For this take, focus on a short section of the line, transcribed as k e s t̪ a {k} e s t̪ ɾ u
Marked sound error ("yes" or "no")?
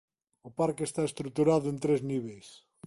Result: yes